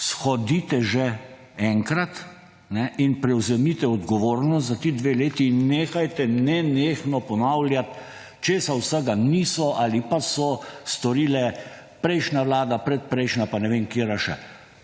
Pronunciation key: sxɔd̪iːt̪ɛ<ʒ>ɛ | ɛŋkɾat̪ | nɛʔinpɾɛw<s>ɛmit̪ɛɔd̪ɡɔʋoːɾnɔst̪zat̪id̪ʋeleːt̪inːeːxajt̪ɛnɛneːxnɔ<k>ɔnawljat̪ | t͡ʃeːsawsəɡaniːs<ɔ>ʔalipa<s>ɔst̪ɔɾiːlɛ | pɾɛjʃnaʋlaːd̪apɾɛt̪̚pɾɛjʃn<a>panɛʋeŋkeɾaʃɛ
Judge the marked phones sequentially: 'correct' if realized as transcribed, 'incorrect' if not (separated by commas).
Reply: correct, incorrect, incorrect, correct, correct, correct